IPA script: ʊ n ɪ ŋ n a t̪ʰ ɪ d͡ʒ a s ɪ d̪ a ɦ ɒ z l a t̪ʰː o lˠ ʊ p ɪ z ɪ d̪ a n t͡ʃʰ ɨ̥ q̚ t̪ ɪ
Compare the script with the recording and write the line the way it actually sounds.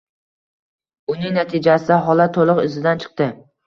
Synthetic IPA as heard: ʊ n ɪ ŋ n a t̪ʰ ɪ d͡ʒ a s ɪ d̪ a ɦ ɒ l a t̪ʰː o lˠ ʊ q ɪ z ɪ d̪ a n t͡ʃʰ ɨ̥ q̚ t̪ ɪ